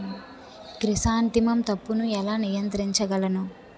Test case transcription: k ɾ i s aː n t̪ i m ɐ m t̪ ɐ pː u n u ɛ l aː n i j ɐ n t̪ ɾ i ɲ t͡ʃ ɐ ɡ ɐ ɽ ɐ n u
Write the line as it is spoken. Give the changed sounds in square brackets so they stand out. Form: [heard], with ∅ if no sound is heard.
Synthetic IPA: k ɾ i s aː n t̪ i m ɐ m t̪ ɐ pː u n u ɛ l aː n i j ɐ n t̪ ɾ i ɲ t͡ʃ ɐ ɡ ɐ [l] ɐ n u